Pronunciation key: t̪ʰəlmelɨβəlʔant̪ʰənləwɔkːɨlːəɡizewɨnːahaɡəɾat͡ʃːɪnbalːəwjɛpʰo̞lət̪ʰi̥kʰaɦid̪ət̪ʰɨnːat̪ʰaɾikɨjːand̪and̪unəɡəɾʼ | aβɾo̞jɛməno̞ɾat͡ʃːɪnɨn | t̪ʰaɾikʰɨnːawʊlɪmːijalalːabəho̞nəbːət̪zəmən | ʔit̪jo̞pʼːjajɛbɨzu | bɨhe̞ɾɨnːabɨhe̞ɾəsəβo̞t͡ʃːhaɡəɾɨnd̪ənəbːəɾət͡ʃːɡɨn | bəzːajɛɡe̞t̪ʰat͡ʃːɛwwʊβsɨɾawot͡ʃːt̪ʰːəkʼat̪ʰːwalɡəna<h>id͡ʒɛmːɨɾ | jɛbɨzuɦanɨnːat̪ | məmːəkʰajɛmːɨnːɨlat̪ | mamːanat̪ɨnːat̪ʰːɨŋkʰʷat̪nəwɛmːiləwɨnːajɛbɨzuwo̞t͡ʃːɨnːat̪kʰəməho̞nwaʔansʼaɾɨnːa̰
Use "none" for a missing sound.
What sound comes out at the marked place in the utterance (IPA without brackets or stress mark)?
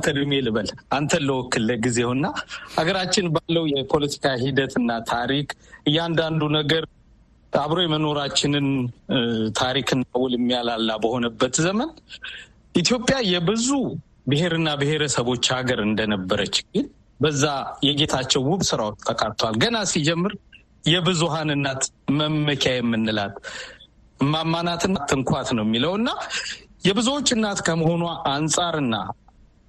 s